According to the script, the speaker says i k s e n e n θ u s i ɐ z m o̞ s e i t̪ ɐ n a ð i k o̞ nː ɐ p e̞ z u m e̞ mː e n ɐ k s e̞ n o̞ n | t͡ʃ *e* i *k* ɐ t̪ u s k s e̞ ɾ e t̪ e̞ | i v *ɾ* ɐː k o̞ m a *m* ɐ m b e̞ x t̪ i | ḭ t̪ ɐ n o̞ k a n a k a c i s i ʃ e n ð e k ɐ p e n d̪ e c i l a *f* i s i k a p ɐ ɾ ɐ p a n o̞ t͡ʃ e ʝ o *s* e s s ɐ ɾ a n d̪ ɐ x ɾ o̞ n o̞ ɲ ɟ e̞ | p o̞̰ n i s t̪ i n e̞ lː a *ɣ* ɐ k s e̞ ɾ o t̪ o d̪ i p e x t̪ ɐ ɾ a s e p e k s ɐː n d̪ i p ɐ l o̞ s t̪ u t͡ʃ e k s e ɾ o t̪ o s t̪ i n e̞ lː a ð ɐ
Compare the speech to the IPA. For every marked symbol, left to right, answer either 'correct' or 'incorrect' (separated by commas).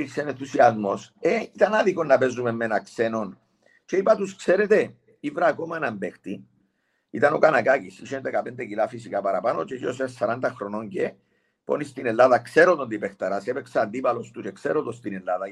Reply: correct, incorrect, correct, incorrect, correct, correct, incorrect